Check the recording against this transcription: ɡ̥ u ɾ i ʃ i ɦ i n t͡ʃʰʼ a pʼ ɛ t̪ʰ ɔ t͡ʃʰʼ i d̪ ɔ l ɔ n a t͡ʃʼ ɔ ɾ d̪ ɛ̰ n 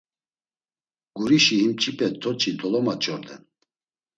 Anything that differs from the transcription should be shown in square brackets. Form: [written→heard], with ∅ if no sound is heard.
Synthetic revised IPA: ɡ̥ u ɾ i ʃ i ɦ i [n→m] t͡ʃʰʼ [a→i] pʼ ɛ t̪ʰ ɔ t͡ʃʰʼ i d̪ ɔ l ɔ [n→m] a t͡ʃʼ ɔ ɾ d̪ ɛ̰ n